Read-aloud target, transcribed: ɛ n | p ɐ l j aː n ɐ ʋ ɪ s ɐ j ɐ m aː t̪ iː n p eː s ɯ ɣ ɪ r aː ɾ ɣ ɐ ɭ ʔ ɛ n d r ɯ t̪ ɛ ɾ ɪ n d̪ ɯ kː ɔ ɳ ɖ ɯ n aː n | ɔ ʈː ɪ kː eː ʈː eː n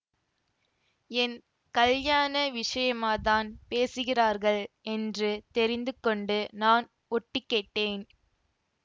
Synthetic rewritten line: ɛ n | k ɐ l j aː n ɐ ʋ ɪ ʂ ɐ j ɐ m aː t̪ aː n p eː s ɯ ɣ ɪ r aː ɾ ɣ ɐ ɭ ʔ ɛ n d r ɯ t̪ ɛ ɾ ɪ n d̪ ɯ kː ɔ ɳ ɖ ɯ n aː n | ɔ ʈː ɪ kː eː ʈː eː n